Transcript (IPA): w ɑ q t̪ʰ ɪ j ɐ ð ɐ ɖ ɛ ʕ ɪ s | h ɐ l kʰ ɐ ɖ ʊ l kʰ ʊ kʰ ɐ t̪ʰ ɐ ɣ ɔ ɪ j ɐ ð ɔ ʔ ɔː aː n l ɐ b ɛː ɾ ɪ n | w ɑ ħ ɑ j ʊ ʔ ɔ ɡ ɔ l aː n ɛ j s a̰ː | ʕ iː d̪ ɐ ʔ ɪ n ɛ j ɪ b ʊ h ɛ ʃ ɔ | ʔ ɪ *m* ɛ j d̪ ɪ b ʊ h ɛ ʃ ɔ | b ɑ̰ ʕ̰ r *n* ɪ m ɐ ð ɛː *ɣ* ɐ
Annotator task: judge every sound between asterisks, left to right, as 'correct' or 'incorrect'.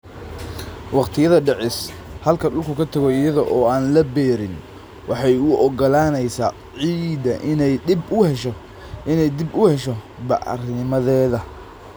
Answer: incorrect: n, correct, incorrect: ð

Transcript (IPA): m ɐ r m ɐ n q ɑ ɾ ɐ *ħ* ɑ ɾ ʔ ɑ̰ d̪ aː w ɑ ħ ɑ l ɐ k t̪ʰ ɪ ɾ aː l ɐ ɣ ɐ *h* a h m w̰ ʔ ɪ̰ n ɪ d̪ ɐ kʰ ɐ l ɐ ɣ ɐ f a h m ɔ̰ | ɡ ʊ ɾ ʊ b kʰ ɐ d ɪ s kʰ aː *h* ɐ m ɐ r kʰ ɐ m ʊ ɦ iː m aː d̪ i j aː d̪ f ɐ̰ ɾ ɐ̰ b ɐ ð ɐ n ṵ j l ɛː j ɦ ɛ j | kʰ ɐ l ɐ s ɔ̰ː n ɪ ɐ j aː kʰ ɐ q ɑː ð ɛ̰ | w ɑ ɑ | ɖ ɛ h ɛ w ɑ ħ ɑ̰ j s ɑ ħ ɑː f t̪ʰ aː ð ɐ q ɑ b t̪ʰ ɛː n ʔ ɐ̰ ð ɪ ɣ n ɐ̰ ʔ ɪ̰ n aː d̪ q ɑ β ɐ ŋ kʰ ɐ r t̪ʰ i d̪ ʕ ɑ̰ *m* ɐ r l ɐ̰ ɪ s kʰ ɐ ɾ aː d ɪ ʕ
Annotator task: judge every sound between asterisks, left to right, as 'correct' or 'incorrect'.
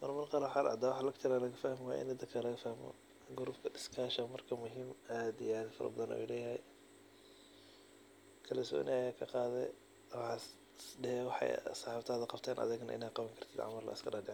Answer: correct, incorrect: f, incorrect: ʃ, correct

